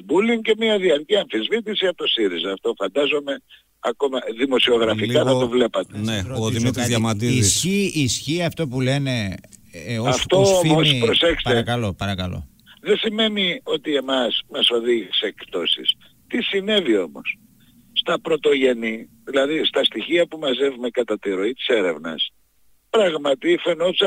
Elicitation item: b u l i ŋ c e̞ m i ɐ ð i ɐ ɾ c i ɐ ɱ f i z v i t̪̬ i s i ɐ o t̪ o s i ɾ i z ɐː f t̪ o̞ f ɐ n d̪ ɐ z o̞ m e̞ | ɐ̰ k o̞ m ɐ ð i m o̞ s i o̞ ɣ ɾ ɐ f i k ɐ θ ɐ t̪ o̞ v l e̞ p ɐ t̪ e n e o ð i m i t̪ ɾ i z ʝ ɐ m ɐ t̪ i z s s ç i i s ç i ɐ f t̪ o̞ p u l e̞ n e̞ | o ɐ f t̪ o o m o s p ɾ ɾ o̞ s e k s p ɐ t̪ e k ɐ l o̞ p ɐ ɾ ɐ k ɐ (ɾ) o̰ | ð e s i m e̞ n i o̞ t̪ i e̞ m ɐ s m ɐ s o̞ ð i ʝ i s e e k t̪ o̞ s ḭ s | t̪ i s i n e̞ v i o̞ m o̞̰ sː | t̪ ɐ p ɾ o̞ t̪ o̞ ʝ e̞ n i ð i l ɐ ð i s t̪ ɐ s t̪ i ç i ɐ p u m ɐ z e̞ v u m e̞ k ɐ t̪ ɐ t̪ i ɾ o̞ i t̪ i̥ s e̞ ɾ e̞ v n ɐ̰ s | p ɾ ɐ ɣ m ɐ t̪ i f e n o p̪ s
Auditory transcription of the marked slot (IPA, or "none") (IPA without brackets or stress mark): l